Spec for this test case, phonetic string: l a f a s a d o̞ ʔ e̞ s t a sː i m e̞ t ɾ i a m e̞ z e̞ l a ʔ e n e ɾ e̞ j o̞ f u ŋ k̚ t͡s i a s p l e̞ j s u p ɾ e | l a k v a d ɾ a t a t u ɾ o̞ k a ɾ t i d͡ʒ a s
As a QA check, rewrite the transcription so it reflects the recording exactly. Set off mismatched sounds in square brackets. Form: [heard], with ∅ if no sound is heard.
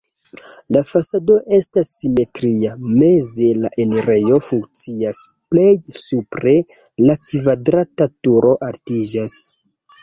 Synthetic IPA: l a f a s a d o̞ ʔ e̞ s t a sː i m e̞ t ɾ i a m e̞ z e̞ l a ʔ e n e ɾ e̞ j o̞ f u ŋ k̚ t͡s i a s p l e̞ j s u p ɾ e | l a k v a d ɾ a t a t u ɾ o̞ [ʔ] a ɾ t i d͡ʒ a s

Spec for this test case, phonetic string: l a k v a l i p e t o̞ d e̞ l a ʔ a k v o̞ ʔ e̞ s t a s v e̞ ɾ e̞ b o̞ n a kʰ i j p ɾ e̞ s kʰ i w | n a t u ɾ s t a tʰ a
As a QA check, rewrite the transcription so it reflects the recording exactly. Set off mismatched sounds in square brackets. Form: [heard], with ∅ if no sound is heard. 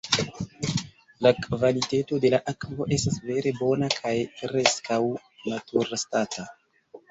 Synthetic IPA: l a k v a l i [t] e t o̞ d e̞ l a ʔ a k v o̞ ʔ e̞ s t a s v e̞ ɾ e̞ b o̞ n a kʰ [a] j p ɾ e̞ s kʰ [a] w | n a t u ɾ s t a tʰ a

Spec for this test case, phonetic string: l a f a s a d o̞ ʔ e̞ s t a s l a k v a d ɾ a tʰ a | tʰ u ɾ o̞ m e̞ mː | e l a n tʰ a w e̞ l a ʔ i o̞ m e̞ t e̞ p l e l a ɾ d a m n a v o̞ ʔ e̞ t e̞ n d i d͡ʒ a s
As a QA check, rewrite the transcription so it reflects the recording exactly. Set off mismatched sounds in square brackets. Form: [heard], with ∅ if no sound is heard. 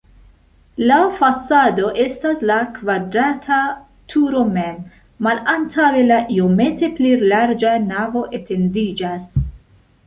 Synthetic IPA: l a f a s a d o̞ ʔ e̞ s t a s l a k v a d ɾ a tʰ a | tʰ u ɾ o̞ m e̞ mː | [a] l a n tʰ a w e̞ l a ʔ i o̞ m e̞ t e̞ p l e l a ɾ [d͡ʒ] a [∅] n a v o̞ ʔ e̞ t e̞ n d i d͡ʒ a s

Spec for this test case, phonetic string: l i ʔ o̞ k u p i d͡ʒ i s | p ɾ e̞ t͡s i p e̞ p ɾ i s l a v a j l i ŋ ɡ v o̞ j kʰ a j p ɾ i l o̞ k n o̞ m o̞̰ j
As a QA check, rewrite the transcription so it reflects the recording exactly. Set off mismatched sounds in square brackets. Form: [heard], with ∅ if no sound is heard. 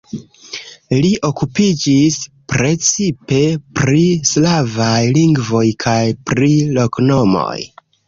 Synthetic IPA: l i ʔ o̞ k u p i d͡ʒ i s | p ɾ e̞ t͡s i p e̞ p ɾ i s l a v a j l i ŋ ɡ v o̞ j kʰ a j p ɾ i l o̞ k n o̞ m o̞̰ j

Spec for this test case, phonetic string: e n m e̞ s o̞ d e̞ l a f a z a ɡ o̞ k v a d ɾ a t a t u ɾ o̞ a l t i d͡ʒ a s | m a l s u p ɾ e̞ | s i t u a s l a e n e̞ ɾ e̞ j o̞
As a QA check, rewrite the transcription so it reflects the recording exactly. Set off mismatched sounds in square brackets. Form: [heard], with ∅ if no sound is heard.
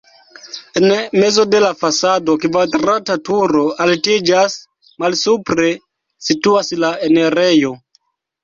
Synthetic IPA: e n m e̞ [z] o̞ d e̞ l a f a [s] a [d] o̞ k v a d ɾ a t a t u ɾ o̞ a l t i d͡ʒ a s | m a l s u p ɾ e̞ | s i t u a s l a e n e̞ ɾ e̞ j o̞

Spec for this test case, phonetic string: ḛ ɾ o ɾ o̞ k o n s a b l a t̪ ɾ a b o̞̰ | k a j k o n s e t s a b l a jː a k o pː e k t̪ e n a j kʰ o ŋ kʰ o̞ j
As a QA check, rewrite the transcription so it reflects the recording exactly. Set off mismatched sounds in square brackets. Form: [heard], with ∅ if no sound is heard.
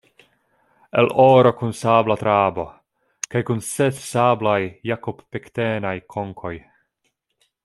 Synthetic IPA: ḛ [l] o ɾ o̞ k [u] n s a b l a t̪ ɾ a b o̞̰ | k a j k [u] n s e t s a b l a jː a k o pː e k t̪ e n a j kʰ o ŋ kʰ o̞ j

